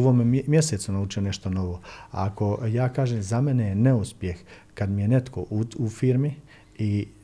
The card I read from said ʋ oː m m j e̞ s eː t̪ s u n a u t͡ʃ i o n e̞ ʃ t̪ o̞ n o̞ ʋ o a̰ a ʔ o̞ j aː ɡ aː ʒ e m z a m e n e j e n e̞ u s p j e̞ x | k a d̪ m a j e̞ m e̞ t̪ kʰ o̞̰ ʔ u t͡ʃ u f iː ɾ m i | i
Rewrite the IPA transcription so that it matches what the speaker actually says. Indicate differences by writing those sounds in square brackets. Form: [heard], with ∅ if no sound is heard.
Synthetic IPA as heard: ʋ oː m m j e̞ s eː t̪ s u n a u t͡ʃ i o n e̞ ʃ t̪ o̞ n o̞ ʋ o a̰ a [k] o̞ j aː [k] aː ʒ e m z a m e n e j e n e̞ u s p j e̞ x | k a d̪ m [i] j e̞ [n] e̞ t̪ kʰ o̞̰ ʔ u [∅] u f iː ɾ m i | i